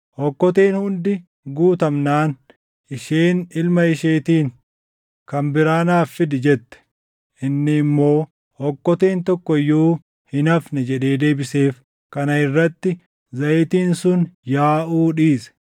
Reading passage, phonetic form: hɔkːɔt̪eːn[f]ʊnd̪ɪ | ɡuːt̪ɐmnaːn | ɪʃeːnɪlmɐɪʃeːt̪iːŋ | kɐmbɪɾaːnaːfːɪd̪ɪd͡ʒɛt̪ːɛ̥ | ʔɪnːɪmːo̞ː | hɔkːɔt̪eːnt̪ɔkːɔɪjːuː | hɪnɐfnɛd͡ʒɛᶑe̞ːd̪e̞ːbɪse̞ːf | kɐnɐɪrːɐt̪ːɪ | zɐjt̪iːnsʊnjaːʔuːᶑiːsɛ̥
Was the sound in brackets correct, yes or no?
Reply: no